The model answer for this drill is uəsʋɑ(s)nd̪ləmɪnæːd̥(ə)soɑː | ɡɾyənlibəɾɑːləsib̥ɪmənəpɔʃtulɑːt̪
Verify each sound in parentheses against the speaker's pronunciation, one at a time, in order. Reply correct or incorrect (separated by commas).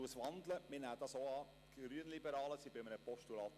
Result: incorrect, incorrect